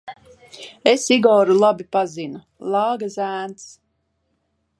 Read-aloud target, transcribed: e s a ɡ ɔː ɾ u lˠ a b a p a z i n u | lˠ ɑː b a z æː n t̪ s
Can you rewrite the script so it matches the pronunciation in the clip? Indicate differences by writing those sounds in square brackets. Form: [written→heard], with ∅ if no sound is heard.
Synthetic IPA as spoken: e s [a→i] ɡ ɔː ɾ u lˠ a b [a→i] p a z i n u | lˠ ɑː [b→ɡ] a z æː n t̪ s